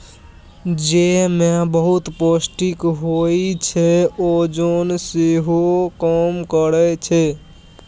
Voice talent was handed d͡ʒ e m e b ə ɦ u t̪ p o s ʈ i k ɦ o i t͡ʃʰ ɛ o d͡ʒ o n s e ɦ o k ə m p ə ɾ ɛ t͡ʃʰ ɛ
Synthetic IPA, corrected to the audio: d͡ʒ e m e b ə ɦ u t̪ p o s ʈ i k ɦ o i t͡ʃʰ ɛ o d͡ʒ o n s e ɦ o k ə m k ə ɾ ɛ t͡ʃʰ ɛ